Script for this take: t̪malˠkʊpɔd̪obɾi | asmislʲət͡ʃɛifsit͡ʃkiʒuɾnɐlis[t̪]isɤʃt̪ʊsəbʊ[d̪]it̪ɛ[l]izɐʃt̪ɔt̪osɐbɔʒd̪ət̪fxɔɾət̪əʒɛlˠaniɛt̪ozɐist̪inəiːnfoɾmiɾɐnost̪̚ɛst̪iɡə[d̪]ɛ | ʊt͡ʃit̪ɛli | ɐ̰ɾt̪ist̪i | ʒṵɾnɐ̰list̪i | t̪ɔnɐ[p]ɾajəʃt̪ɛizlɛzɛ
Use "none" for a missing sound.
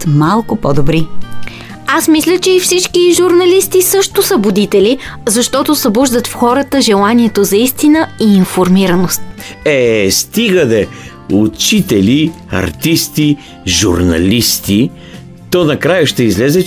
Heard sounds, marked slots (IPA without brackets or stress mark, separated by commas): t̪, d̪, l, d̪, k